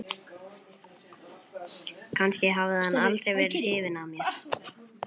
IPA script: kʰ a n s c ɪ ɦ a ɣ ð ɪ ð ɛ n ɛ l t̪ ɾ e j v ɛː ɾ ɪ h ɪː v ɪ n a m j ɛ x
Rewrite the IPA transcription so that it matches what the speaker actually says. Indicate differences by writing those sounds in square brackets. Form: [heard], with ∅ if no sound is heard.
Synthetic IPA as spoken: kʰ a n s c ɪ ɦ a [v] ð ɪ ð [a] n [a] l t̪ ɾ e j v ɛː ɾ ɪ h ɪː v ɪ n a m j ɛ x